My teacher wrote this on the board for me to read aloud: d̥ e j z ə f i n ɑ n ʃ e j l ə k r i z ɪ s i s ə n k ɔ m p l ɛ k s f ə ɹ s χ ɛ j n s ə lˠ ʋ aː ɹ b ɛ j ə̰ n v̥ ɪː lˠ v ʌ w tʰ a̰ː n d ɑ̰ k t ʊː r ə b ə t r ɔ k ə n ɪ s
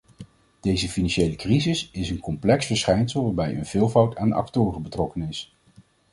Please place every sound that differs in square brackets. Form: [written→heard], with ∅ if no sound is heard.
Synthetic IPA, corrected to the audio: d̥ e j z ə f i n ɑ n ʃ e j l ə k r i z ɪ s [i→ɪ] s ə n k ɔ m p l ɛ k s f ə ɹ s χ ɛ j n s ə lˠ ʋ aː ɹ b ɛ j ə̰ n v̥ ɪː lˠ v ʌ w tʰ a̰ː n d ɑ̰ k t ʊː r ə b ə t r ɔ k ə n ɪ s